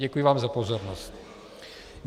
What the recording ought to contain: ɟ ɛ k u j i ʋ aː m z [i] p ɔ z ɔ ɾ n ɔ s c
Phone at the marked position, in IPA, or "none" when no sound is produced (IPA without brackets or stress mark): a